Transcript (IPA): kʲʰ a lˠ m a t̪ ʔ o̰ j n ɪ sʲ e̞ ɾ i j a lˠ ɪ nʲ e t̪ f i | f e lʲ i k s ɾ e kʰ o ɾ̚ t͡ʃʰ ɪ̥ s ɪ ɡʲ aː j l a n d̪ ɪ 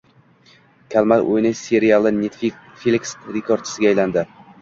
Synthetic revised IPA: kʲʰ a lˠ m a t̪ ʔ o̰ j n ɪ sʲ e̞ ɾ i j a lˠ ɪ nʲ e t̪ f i | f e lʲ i k s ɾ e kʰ o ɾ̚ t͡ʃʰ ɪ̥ s ɪ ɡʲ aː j l a n d̪ ɪ